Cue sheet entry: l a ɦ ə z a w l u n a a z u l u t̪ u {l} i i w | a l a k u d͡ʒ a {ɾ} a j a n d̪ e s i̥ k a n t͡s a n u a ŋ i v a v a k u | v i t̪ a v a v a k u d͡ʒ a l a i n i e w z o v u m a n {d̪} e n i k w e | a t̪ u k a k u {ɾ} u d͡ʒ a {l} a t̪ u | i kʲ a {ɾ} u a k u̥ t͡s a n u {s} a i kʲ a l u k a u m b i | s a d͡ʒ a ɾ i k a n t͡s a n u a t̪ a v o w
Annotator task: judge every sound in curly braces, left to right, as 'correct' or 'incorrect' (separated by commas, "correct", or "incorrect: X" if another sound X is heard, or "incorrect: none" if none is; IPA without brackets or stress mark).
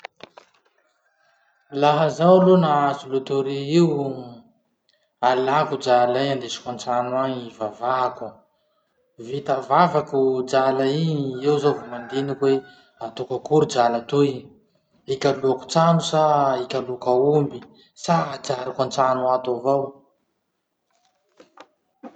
incorrect: ɾ, incorrect: l, correct, correct, correct, incorrect: l, correct